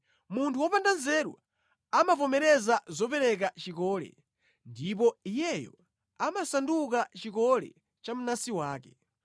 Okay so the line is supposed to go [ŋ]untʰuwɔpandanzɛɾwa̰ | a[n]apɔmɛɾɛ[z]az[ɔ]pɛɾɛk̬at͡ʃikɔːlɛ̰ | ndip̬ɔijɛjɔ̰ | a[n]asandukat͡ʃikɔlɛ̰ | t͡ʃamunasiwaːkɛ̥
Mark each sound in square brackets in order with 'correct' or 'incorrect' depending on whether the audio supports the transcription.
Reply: incorrect: m, incorrect: m, correct, correct, incorrect: m

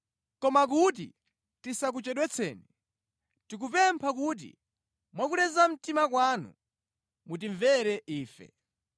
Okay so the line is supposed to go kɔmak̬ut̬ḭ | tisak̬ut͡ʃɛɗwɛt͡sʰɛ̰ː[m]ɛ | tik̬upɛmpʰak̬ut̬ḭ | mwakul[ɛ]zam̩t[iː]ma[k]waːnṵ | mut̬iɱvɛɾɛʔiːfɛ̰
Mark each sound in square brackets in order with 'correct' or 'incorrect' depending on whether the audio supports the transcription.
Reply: incorrect: n, correct, incorrect: i, correct

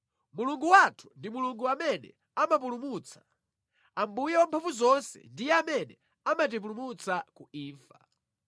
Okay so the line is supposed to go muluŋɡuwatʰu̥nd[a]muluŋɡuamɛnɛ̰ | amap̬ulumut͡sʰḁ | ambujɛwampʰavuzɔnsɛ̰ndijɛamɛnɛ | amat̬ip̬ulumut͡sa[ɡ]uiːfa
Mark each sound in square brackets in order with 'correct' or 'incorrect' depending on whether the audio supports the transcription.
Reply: incorrect: i, incorrect: k

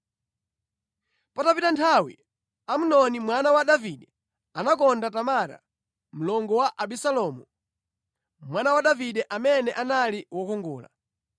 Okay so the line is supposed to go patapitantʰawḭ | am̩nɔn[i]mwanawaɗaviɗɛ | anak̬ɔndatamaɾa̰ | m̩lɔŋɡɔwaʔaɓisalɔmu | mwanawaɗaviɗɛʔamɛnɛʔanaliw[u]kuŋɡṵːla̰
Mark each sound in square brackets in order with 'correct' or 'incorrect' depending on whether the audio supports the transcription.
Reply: correct, incorrect: ɔ

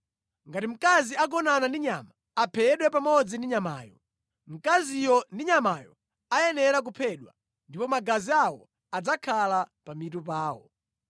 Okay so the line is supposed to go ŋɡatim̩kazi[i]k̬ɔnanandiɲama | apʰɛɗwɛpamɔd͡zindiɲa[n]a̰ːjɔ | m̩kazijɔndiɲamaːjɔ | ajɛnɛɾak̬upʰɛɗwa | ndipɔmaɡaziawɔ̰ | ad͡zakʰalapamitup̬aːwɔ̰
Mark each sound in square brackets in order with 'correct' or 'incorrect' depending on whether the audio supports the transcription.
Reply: incorrect: a, incorrect: m

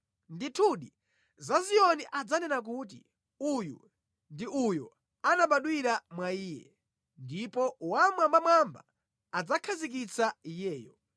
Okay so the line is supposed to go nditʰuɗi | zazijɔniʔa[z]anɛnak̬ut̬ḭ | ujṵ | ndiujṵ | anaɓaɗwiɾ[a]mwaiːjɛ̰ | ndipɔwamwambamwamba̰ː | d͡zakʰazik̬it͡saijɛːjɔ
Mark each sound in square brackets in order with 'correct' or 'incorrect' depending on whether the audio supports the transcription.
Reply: incorrect: d͡z, correct

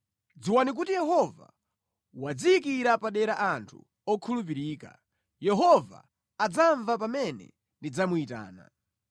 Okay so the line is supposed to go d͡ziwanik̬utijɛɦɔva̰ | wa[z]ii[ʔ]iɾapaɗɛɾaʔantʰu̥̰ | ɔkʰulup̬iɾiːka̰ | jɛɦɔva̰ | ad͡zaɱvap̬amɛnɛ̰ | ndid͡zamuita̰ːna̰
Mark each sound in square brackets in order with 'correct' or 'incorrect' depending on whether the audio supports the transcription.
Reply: incorrect: d͡z, incorrect: k

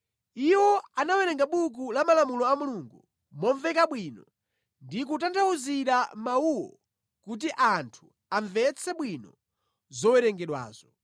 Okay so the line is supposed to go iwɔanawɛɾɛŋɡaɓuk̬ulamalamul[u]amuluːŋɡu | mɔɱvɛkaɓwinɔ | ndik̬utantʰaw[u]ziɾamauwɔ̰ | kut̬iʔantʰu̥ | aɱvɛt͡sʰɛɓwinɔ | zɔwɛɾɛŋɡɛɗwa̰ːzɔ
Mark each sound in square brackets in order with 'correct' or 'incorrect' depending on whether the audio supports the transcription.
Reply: incorrect: ɔ, correct

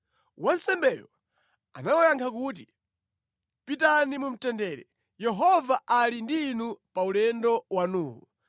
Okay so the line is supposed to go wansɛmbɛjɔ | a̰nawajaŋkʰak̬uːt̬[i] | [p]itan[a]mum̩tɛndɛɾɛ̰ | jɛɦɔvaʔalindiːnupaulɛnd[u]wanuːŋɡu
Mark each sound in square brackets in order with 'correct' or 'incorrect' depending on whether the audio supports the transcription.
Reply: correct, correct, incorrect: i, incorrect: ɔ

